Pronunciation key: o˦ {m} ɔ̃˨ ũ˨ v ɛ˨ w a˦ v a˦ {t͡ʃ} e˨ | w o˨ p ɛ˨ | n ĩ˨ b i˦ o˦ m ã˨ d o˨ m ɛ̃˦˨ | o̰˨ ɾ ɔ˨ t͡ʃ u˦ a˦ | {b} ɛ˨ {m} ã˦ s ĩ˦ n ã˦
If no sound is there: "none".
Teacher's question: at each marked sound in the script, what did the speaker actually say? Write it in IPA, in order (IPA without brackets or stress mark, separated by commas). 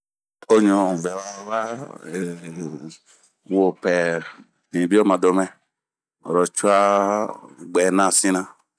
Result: ɲ, none, ɡ͡b, n